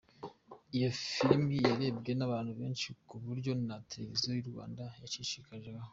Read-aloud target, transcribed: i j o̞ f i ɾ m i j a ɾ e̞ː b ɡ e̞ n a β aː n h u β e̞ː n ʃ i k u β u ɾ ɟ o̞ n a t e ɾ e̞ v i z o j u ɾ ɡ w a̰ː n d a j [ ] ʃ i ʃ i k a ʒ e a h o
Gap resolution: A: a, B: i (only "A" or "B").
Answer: A